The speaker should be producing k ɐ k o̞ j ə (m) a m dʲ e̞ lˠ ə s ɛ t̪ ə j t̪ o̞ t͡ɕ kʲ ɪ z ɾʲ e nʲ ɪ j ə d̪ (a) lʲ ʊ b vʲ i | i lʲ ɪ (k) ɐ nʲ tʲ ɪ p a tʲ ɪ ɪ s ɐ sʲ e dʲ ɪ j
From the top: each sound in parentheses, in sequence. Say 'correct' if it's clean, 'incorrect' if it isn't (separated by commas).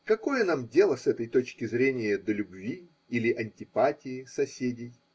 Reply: incorrect, incorrect, incorrect